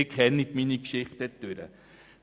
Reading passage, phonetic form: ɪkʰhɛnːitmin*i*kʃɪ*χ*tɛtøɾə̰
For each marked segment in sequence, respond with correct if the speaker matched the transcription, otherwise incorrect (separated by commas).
correct, correct